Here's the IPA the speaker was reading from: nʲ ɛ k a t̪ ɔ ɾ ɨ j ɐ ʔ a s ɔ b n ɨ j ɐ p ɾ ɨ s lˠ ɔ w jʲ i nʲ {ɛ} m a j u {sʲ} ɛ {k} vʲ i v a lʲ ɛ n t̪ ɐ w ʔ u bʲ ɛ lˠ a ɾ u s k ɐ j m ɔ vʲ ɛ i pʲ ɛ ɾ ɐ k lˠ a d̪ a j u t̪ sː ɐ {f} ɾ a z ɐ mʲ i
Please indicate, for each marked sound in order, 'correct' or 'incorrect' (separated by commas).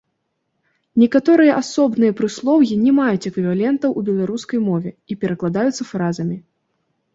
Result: correct, incorrect, correct, correct